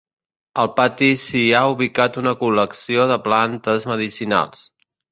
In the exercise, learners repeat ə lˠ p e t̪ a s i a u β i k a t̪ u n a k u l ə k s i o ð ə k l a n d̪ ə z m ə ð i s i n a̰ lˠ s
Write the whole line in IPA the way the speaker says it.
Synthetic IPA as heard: ə lˠ p a t̪ i s i a u β i k a t̪ u n ə k u l ə k s i o ð ə p l a n t̪ ə z m ə ð i s i n a̰ lˠ s